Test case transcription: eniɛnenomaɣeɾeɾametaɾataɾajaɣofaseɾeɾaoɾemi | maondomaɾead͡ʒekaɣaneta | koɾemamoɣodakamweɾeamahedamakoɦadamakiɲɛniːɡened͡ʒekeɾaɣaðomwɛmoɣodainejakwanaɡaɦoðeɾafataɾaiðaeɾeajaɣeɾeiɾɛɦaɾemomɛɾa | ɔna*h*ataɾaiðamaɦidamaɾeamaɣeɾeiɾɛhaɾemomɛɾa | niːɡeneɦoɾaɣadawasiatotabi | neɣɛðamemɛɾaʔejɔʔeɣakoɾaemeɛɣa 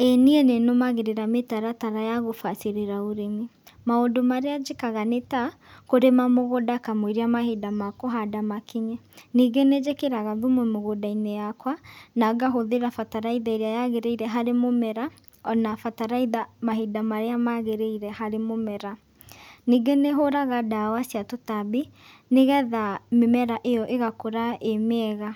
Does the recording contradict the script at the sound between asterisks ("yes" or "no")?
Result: yes